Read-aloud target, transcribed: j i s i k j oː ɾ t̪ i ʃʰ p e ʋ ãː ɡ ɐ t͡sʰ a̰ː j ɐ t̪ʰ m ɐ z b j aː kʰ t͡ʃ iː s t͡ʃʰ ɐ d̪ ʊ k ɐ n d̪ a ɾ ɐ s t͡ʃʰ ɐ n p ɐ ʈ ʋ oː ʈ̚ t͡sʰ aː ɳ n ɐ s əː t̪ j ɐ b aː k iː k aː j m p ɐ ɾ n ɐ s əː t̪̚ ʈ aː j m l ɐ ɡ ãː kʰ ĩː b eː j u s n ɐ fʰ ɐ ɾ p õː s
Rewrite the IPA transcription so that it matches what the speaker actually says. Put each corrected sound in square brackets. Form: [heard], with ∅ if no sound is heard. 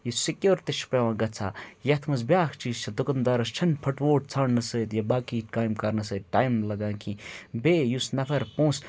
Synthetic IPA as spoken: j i s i k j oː ɾ t̪ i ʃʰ p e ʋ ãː ɡ ɐ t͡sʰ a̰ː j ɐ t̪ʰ m ɐ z b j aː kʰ t͡ʃ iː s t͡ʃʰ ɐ d̪ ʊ k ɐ n d̪ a ɾ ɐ s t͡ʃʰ ɐ n [pʰ] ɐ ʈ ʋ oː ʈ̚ t͡sʰ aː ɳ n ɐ s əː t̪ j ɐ b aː k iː k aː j m [k] ɐ ɾ n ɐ s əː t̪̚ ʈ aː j m l ɐ ɡ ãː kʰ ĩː b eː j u s n ɐ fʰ ɐ ɾ p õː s